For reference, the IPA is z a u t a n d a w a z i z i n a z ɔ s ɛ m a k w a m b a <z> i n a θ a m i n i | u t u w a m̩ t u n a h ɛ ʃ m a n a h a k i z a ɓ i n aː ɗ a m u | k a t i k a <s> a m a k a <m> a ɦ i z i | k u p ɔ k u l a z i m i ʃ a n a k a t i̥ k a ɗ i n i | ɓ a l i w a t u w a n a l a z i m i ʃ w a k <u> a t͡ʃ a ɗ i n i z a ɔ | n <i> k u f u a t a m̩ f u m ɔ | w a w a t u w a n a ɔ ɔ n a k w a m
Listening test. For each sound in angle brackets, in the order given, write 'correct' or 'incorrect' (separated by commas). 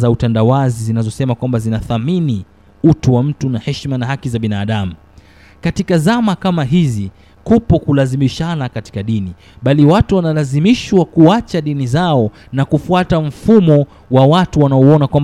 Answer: correct, incorrect, correct, correct, incorrect